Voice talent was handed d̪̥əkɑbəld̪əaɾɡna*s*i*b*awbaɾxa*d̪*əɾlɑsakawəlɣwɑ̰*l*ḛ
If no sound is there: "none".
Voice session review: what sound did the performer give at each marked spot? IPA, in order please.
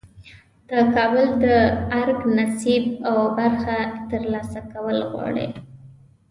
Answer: s, b, t̪, ɽ

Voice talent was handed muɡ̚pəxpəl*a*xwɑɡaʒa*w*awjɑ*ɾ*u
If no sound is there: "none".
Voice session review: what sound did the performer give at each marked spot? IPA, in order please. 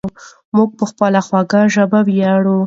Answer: a, b, ɽ

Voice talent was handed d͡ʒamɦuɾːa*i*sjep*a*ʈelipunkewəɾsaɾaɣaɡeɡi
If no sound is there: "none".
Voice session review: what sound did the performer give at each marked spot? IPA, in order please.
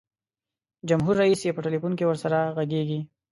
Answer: i, ə

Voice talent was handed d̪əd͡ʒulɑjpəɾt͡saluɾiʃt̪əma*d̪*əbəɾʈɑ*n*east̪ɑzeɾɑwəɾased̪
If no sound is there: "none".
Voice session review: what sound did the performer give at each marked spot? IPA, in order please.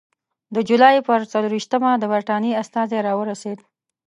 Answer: d̪, n

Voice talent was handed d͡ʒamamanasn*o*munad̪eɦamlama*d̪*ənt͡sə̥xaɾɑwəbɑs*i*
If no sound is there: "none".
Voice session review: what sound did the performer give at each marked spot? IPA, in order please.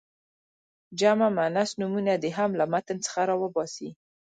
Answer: u, t̪, i

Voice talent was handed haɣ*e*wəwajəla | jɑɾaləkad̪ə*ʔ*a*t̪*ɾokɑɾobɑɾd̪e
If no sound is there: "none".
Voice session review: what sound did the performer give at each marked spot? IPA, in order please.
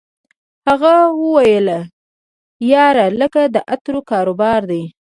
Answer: a, ʔ, t̪

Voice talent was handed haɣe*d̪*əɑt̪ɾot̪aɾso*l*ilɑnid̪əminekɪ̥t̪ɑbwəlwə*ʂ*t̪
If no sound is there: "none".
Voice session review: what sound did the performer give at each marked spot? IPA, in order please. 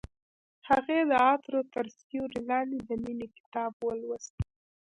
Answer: d̪, ɾ, s

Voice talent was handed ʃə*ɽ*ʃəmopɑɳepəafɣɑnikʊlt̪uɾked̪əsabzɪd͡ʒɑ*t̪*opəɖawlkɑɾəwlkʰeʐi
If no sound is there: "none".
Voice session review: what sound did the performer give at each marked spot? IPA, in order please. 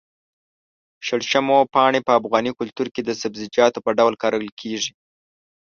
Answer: ɽ, t̪

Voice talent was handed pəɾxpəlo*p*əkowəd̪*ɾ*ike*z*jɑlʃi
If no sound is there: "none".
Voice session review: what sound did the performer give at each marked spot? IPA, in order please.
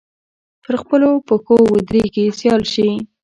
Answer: p, ɾ, s

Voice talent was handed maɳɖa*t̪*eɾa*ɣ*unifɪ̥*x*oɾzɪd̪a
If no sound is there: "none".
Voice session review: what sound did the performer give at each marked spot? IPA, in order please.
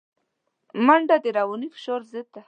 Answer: d̪, w, ʃ

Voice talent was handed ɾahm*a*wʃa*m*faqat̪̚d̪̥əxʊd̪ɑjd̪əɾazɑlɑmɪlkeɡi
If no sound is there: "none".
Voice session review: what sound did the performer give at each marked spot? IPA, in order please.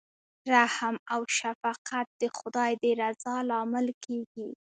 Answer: a, none

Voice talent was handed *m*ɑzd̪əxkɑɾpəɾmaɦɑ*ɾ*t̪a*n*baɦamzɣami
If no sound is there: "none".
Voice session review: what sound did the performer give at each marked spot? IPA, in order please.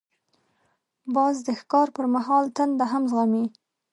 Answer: b, l, n

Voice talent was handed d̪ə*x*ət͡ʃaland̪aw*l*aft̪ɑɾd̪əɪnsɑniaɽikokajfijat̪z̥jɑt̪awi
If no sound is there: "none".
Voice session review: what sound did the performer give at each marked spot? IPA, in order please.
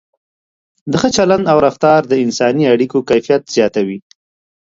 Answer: x, ɾ

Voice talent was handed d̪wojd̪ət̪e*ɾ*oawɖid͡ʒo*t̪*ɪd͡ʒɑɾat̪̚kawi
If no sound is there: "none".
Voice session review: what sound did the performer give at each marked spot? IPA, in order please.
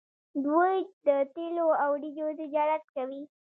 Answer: l, t̪

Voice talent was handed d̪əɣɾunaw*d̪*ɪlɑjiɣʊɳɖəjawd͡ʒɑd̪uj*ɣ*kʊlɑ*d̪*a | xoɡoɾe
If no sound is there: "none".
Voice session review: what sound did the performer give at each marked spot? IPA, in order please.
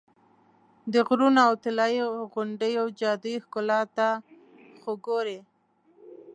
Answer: t̪, x, t̪

